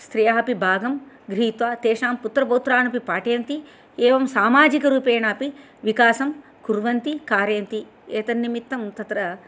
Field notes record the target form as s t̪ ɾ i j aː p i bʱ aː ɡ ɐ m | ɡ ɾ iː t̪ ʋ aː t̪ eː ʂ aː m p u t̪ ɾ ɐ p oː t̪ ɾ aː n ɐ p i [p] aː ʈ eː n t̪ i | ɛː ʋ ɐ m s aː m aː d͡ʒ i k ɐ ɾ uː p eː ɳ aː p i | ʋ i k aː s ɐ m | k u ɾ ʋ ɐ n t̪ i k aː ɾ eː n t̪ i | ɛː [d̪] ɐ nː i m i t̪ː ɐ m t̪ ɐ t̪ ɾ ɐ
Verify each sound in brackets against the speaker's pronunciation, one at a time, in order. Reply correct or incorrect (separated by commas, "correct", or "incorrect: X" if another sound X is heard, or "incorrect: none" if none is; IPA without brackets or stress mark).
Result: correct, incorrect: t̪